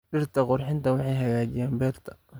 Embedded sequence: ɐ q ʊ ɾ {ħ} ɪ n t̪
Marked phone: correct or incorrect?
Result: correct